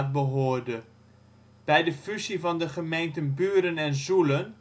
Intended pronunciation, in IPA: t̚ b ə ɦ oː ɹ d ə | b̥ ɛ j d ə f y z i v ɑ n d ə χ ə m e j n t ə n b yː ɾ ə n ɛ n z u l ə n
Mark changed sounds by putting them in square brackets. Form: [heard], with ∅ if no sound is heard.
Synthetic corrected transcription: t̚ b ə ɦ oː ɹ d ə | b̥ ɛ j d ə f y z i v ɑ n d ə χ ə m e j n t ə n b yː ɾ ə n ɛ n z u l ə n